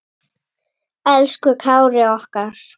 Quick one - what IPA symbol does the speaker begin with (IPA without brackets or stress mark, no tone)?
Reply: ɛ